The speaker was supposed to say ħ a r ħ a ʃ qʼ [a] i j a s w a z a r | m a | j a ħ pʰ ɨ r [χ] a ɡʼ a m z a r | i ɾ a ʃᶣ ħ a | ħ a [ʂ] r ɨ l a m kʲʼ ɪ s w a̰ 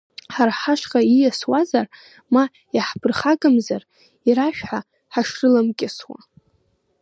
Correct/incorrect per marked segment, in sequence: correct, correct, correct

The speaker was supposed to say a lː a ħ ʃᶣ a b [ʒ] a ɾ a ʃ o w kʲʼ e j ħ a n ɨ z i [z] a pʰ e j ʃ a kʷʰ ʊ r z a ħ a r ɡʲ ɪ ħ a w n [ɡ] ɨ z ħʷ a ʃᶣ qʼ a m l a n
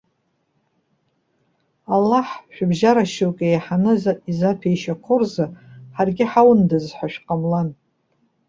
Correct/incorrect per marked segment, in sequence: correct, correct, incorrect: d

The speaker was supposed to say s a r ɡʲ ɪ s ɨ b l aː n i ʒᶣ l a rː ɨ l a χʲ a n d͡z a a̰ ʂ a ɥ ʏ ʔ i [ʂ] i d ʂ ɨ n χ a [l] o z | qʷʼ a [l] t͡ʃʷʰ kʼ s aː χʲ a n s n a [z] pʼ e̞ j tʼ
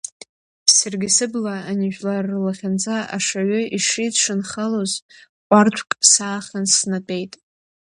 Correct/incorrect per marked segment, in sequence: correct, correct, incorrect: r, incorrect: none

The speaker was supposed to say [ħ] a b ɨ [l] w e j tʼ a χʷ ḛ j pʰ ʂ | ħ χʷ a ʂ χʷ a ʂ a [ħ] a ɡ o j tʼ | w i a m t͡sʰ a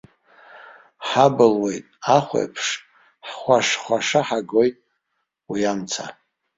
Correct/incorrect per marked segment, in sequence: correct, correct, correct

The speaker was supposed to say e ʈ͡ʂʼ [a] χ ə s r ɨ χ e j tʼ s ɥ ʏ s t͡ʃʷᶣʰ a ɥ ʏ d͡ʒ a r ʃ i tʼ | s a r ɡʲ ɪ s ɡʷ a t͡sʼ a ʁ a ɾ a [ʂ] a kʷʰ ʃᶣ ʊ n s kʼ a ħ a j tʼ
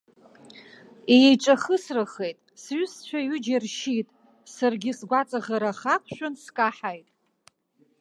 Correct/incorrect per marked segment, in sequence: correct, incorrect: χ

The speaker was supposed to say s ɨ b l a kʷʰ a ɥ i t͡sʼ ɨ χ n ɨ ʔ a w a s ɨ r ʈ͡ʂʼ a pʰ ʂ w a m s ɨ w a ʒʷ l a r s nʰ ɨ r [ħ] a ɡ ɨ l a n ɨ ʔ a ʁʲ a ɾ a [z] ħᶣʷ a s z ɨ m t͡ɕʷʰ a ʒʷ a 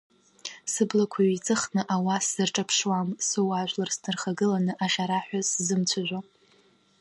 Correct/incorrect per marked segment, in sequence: incorrect: χ, incorrect: none

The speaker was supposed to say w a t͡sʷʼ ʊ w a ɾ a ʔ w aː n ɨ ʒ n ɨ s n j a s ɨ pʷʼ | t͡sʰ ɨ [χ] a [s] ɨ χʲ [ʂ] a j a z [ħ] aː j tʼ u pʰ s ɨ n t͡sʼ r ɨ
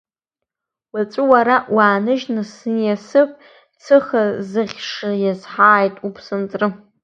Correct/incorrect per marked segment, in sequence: correct, incorrect: z, correct, correct

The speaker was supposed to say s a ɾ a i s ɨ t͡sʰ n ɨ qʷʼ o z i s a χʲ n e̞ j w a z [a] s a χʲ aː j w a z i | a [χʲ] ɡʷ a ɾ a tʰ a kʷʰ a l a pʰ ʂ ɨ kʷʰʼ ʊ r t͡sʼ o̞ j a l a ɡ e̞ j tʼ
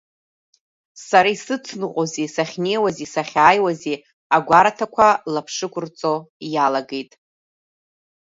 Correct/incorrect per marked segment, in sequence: incorrect: i, incorrect: none

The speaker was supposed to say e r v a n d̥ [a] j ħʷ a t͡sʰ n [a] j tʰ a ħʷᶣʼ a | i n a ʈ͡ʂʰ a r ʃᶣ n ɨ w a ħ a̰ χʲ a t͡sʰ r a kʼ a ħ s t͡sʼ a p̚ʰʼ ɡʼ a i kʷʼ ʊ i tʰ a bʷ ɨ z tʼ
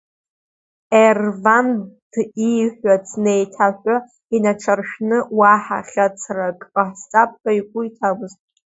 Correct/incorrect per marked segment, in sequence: incorrect: i, incorrect: e

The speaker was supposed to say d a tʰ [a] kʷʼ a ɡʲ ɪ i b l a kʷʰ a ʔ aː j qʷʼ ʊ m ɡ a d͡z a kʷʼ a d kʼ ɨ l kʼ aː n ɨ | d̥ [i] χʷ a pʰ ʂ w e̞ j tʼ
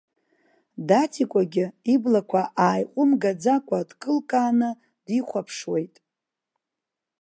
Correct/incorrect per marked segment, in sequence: incorrect: i, correct

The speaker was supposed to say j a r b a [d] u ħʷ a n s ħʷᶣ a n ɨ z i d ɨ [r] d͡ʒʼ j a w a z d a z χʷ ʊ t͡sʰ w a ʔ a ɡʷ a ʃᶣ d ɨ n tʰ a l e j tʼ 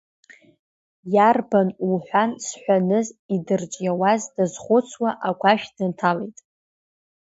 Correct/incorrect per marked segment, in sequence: incorrect: n, correct

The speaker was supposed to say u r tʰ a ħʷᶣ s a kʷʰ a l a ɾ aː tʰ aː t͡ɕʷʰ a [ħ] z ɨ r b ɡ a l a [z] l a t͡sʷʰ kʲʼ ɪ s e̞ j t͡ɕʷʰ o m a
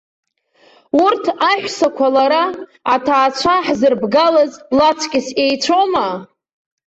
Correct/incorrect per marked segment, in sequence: correct, correct

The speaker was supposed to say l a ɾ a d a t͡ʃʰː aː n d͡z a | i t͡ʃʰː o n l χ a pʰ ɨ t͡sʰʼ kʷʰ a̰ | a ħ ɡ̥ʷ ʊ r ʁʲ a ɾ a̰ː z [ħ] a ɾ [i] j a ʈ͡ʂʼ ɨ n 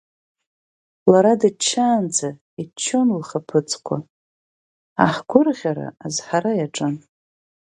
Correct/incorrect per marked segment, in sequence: correct, incorrect: a

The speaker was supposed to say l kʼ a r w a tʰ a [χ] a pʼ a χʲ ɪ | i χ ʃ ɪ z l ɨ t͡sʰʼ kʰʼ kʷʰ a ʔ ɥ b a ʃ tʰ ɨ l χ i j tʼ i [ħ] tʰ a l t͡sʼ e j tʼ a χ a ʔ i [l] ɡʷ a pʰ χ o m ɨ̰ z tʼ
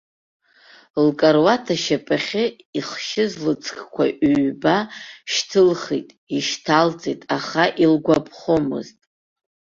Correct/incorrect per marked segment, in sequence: incorrect: ʃ, incorrect: ʃ, correct

